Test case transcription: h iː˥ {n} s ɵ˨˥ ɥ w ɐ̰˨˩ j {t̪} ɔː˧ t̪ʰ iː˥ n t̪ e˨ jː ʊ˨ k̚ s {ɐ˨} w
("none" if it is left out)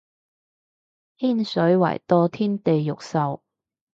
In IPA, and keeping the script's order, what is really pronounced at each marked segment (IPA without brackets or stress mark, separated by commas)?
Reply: n, t̪, ɐ˨